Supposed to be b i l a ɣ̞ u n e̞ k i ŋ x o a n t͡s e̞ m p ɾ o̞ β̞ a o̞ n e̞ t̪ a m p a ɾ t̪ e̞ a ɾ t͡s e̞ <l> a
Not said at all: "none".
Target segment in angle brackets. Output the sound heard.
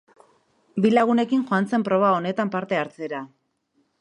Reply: ɾ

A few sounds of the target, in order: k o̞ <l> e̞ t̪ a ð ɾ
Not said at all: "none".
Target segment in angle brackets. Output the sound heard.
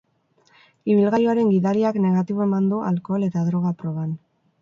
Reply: l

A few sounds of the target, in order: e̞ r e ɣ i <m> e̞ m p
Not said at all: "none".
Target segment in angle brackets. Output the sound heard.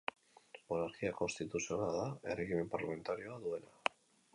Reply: m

